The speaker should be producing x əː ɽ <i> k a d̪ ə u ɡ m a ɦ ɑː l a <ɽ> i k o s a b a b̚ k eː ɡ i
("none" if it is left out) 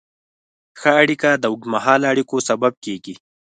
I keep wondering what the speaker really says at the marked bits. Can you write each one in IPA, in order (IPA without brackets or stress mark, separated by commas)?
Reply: i, ɽ